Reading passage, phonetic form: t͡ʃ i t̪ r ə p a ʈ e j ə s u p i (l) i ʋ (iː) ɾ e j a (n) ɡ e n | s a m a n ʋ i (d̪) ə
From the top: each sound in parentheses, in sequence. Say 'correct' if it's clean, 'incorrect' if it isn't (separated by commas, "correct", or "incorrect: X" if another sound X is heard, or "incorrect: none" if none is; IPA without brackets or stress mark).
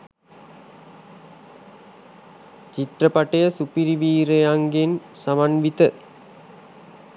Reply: incorrect: ɾ, correct, incorrect: ŋ, incorrect: t̪